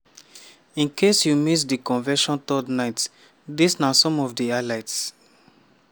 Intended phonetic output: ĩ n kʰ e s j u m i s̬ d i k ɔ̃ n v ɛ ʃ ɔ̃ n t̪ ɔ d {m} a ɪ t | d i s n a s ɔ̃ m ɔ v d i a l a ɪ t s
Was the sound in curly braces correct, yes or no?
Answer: no